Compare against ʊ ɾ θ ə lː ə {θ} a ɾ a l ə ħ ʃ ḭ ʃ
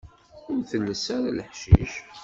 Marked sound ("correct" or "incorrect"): incorrect